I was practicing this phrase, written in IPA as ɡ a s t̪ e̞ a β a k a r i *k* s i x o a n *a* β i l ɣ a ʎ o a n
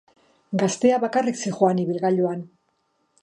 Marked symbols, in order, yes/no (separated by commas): yes, no